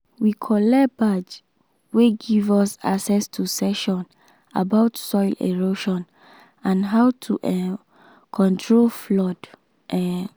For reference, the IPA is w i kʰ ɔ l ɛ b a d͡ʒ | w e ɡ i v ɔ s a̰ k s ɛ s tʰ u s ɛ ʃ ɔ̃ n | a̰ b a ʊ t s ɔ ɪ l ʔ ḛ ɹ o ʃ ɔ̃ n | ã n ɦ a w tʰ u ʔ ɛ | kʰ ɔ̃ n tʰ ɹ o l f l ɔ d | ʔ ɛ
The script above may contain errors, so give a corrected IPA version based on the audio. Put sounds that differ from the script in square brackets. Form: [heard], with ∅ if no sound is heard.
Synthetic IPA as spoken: w i kʰ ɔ l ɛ b a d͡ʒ | w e ɡ i v ɔ s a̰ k s ɛ s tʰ u s ɛ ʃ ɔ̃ n | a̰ b a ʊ t s ɔ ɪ l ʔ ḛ ɹ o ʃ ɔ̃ n | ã n ɦ a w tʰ u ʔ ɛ | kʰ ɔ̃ n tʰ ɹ o l f l ɔ d | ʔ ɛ